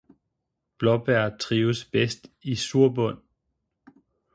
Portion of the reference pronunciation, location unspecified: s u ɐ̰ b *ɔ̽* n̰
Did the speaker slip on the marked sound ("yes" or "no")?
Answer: no